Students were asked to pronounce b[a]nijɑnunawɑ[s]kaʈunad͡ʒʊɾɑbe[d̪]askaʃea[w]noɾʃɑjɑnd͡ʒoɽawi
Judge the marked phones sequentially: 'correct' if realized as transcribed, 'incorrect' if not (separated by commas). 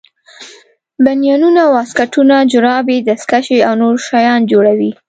correct, correct, correct, correct